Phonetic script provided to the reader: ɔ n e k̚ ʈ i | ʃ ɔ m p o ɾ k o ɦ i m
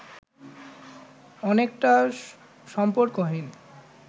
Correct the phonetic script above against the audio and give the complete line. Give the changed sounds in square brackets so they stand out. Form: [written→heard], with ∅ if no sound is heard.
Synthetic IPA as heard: ɔ n e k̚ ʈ [i→a] | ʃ ɔ m p o ɾ k o ɦ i [m→n]